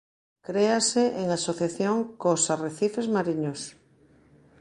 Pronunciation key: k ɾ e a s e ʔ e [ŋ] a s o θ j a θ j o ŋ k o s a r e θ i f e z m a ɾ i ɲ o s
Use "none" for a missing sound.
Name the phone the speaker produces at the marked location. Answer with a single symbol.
ŋ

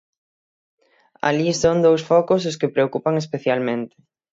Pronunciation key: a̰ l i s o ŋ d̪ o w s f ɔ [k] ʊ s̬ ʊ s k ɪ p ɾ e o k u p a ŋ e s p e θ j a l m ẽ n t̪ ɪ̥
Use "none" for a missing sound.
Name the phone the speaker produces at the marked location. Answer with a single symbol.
k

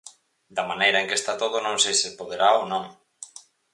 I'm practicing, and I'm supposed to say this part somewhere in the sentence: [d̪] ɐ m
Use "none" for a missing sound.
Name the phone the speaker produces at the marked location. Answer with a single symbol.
d̪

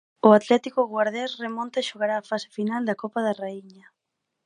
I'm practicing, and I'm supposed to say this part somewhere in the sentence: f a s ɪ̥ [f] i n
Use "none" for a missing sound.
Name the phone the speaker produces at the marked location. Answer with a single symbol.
f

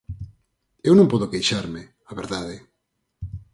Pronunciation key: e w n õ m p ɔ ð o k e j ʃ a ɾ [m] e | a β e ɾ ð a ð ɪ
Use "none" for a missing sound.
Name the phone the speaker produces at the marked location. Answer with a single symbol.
m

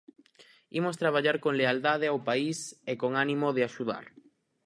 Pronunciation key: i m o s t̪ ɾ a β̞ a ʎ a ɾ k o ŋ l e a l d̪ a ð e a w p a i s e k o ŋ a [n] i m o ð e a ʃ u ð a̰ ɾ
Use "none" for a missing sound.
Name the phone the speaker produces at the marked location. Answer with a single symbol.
n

